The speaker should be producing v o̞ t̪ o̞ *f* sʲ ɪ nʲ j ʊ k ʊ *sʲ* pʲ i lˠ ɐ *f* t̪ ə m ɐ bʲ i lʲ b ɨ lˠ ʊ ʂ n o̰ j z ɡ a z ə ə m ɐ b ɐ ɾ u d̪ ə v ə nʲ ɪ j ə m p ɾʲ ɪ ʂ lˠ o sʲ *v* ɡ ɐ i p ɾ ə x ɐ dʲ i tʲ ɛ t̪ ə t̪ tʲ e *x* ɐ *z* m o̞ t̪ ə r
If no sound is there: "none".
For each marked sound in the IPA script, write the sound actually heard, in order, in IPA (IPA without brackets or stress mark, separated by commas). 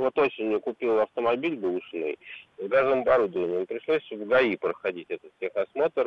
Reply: none, none, f, v, x, s